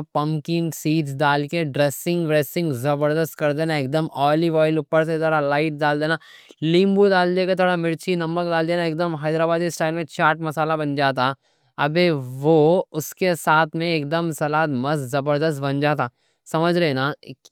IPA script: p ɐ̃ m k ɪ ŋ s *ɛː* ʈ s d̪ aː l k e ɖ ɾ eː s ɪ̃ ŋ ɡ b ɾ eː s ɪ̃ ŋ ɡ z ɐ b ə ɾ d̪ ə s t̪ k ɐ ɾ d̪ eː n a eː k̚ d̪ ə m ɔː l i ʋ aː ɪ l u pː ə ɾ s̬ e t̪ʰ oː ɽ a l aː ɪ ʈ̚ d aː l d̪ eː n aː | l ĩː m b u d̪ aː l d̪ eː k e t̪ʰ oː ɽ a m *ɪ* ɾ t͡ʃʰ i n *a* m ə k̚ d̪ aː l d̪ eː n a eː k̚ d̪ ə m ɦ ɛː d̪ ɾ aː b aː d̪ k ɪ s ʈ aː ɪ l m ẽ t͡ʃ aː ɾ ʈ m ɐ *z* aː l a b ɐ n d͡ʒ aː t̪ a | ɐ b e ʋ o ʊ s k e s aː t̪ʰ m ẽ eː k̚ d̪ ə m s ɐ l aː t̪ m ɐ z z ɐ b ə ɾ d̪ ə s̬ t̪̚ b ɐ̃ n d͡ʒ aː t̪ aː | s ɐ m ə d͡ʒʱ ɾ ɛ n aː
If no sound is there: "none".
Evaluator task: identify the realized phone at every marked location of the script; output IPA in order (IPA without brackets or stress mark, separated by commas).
iː, ɪ, ɐ, s